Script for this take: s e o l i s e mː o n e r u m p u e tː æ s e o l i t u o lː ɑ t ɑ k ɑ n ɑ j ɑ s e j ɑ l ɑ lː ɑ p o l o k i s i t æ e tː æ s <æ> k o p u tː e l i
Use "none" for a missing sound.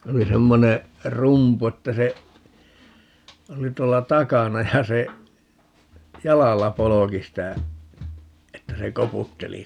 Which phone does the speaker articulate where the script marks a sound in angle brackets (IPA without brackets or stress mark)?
e